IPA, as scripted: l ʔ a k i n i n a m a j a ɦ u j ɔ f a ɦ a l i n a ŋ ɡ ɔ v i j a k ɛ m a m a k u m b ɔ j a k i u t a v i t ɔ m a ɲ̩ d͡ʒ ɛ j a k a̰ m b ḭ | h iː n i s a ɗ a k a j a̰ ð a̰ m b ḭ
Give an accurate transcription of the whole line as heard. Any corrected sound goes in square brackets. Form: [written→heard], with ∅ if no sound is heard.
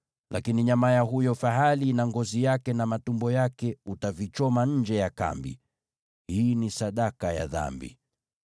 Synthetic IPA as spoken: l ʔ a k i n i [n→ɲ] a m a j a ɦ u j ɔ f a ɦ a l i n a ŋ ɡ ɔ [v→z] i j a k ɛ [m→n] a m a [k→t] u m b ɔ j a k [i→ɛ] u t a v i [t→t͡ʃ] ɔ m a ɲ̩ d͡ʒ ɛ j a k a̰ m b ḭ | h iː n i s a ɗ a k a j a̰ ð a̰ m b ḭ